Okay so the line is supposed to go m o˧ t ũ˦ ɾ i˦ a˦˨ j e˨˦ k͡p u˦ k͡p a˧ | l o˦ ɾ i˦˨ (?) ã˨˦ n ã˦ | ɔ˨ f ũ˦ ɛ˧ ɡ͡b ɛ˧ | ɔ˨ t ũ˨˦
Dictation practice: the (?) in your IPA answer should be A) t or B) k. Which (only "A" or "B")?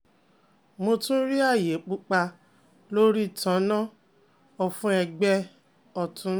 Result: A